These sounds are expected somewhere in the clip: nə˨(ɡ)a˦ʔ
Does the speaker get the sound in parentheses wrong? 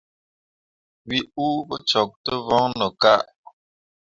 yes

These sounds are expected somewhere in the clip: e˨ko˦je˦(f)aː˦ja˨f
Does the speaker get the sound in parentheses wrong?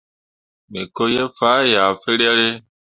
no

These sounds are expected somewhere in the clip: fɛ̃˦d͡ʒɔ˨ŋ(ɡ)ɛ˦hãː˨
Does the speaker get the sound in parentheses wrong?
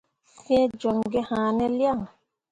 no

